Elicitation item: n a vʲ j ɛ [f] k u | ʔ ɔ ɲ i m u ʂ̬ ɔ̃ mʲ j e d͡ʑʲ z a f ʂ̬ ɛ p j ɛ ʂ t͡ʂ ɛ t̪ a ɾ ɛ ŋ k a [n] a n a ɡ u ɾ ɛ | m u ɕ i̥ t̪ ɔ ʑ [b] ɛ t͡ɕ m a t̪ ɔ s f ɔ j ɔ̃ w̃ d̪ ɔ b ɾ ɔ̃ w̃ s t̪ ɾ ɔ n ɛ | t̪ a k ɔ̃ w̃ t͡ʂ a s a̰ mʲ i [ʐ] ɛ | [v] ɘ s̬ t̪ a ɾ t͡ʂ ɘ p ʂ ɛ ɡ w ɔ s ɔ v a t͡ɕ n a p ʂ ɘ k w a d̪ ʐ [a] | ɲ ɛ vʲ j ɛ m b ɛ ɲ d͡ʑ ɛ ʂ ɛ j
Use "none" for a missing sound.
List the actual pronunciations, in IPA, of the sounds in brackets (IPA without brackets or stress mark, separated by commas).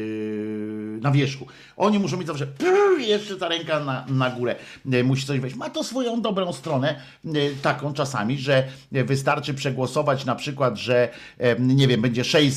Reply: ʂ, n, v, ʐ, v, ɛ